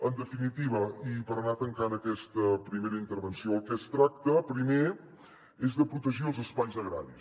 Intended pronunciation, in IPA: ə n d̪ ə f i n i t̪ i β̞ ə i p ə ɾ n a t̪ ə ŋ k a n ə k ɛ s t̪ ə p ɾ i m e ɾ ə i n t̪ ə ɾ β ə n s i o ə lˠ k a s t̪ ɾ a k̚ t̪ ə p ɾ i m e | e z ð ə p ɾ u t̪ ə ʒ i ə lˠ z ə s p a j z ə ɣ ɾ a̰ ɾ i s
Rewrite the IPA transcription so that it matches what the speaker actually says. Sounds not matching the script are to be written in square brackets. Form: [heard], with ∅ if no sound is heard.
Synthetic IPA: ə n d̪ ə f i n i t̪ i β̞ ə i p ə ɾ n a t̪ ə ŋ k a n ə k ɛ s t̪ ə p ɾ i m e ɾ ə i n t̪ ə ɾ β ə n s i o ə lˠ k [ɛ] s t̪ ɾ a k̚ t̪ ə p ɾ i m e | e z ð ə p ɾ u t̪ ə ʒ i ə lˠ z ə s p a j z ə ɣ ɾ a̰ ɾ i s